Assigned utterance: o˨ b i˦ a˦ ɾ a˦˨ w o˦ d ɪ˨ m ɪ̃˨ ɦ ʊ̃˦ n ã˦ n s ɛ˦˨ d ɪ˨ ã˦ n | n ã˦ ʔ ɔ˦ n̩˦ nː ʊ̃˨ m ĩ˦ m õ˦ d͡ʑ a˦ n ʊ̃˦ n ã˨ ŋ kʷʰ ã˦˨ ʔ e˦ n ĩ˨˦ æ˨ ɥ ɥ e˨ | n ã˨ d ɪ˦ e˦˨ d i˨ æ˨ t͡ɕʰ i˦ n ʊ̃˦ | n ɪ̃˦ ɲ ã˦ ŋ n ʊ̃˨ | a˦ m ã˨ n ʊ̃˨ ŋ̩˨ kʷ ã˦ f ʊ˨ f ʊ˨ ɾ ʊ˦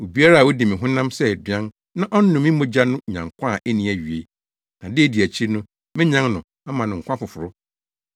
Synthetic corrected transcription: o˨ b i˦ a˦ ɾ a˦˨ w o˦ d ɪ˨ m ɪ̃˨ ɦ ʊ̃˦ n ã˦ m s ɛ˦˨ d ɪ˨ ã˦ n | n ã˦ ʔ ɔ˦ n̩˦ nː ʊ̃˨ m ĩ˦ m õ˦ d͡ʑ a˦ n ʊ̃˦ ɲ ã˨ ŋ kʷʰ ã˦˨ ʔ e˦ n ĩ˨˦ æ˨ ɥ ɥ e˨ | n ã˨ d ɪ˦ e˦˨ d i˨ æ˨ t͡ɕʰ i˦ n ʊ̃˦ | m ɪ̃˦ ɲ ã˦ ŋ n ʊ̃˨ | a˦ m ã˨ n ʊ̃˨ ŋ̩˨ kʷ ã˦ f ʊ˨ f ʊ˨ ɾ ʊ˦